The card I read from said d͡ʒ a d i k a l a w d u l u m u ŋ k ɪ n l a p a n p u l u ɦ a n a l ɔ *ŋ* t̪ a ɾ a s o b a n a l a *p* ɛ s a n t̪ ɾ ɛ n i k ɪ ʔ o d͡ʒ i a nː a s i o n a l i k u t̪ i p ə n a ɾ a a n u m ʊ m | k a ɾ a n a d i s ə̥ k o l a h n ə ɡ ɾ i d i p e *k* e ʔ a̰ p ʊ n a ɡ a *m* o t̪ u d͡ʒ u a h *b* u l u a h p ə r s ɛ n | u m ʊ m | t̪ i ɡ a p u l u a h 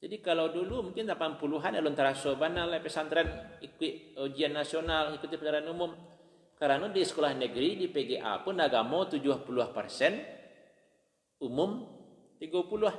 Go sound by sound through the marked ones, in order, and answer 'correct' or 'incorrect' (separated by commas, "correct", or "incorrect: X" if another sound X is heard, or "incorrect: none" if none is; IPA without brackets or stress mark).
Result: incorrect: n, correct, incorrect: ɡ, correct, incorrect: p